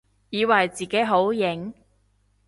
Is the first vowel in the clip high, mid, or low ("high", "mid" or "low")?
high